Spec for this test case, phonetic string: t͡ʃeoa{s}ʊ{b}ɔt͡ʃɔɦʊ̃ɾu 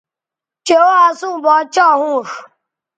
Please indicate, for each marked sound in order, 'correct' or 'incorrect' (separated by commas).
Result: correct, correct